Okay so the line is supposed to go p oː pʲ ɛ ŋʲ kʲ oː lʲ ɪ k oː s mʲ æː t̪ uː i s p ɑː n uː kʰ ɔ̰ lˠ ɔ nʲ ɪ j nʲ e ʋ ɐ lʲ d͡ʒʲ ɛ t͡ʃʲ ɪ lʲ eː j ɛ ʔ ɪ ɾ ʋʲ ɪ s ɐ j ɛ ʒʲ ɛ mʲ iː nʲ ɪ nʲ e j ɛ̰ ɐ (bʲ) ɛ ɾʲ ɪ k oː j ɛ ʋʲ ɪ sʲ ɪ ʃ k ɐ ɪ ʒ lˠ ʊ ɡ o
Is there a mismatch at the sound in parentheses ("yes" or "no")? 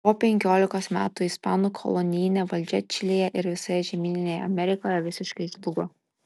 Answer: yes